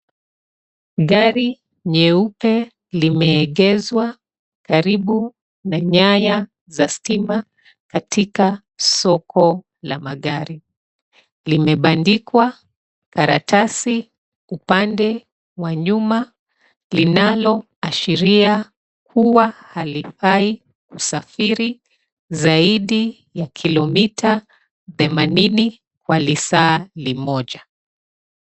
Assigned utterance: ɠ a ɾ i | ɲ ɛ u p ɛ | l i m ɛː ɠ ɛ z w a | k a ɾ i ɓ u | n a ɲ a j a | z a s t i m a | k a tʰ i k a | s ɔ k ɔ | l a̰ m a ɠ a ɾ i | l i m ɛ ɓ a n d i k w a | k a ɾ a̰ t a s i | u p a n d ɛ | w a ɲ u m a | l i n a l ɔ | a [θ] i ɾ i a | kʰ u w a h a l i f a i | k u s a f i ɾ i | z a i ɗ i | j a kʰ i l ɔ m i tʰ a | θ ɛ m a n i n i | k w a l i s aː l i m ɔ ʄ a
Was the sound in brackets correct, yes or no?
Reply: no